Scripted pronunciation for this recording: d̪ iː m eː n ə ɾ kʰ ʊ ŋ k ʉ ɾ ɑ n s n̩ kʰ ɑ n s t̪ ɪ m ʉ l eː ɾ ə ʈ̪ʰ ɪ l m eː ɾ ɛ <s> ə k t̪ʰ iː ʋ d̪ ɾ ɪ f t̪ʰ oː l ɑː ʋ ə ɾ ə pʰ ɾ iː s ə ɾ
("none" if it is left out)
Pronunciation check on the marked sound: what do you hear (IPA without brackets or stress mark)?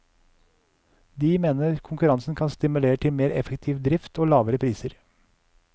f